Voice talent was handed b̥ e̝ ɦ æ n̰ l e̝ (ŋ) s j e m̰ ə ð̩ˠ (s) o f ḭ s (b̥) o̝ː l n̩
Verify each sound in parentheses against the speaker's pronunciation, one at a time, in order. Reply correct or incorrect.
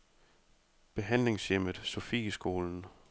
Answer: correct, correct, incorrect

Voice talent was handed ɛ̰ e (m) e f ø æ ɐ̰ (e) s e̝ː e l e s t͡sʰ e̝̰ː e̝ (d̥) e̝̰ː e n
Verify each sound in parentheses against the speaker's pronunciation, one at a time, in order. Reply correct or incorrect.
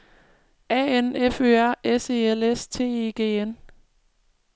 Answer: incorrect, correct, incorrect

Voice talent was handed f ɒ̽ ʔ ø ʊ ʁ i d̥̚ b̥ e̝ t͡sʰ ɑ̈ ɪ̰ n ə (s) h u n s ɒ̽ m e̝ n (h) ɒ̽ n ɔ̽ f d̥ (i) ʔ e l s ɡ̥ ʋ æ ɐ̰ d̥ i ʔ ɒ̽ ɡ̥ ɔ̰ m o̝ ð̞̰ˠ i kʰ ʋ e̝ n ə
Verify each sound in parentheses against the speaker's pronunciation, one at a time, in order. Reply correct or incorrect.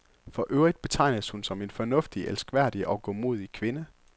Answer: correct, incorrect, correct

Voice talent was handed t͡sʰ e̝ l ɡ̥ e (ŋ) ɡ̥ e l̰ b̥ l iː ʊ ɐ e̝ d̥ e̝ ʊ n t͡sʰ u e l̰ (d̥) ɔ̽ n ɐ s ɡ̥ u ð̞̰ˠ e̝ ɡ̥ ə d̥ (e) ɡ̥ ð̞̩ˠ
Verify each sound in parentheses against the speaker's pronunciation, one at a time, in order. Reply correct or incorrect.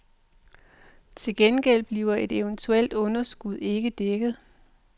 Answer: incorrect, correct, correct

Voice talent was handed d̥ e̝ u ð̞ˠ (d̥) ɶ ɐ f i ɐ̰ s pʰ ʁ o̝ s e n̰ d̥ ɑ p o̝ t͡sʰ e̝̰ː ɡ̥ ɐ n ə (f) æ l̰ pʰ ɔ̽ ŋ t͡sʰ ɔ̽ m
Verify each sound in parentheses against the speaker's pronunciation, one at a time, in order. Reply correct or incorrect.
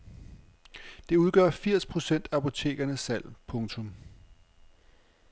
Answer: incorrect, incorrect

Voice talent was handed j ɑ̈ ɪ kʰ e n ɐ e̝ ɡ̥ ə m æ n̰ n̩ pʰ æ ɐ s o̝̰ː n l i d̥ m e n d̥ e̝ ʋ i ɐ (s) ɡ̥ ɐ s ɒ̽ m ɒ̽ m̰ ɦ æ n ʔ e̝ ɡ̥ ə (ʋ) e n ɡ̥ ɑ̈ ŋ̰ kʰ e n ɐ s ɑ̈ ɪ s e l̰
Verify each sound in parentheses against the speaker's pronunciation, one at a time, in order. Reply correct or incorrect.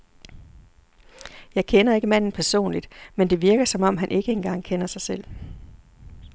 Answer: incorrect, incorrect

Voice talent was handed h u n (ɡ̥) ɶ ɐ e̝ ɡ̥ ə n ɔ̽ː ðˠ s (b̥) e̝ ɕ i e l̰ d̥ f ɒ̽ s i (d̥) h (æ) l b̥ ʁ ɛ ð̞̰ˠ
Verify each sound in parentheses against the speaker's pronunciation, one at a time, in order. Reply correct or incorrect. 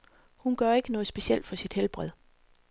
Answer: correct, correct, correct, incorrect

